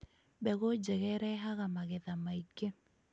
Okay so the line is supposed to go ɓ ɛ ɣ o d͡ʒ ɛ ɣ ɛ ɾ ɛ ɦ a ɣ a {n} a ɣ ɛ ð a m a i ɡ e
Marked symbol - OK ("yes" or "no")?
no